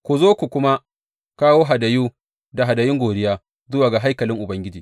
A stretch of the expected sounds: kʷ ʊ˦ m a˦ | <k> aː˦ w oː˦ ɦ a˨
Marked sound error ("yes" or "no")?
no